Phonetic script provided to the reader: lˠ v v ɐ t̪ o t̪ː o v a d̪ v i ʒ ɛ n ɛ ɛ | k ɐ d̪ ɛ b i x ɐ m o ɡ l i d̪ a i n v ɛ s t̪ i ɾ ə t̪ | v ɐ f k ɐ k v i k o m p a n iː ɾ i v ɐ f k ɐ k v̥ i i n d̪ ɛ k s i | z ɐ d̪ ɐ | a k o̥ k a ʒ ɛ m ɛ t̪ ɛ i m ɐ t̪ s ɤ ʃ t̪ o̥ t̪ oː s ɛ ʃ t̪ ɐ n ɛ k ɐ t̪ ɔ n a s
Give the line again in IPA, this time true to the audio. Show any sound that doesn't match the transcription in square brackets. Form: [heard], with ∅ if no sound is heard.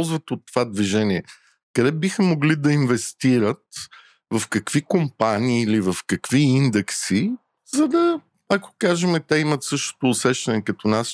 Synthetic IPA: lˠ [z] v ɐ t̪ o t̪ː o v a d̪ v i ʒ ɛ n [i] ɛ | k ɐ d̪ ɛ b i x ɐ m o ɡ l i d̪ [ɐ] i n v ɛ s t̪ i ɾ ə t̪ | v ɐ f k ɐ k v i k o m p a n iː [l] i v ɐ f k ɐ k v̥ i i n d̪ ɛ k s i | z ɐ d̪ ɐ | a k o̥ k a ʒ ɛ m ɛ t̪ ɛ i m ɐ t̪ s ɤ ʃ t̪ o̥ t̪ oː s ɛ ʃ t̪ ɐ n ɛ k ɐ t̪ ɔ n a s